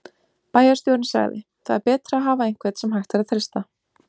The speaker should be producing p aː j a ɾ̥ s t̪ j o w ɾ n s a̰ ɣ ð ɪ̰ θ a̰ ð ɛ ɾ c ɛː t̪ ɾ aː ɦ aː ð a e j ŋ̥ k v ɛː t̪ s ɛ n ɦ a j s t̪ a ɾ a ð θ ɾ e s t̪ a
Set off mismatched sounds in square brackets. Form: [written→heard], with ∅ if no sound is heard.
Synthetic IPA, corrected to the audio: p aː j a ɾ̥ s t̪ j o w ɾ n s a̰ ɣ ð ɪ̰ θ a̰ ð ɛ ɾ [c→p] ɛː t̪ ɾ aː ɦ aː [ð→v] a e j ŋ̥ k v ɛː t̪ s ɛ [n→m] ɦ a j [s→x] t̪ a ɾ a ð θ ɾ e s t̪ a